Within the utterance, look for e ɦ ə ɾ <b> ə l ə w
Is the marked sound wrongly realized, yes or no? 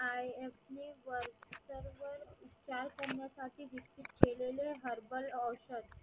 no